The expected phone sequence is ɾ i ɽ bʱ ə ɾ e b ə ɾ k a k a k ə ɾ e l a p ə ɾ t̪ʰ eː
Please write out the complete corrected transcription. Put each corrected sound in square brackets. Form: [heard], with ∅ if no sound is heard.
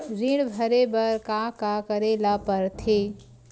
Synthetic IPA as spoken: ɾ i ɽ bʱ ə ɾ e b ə ɾ k a k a k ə ɾ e l a p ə ɾ t̪ʰ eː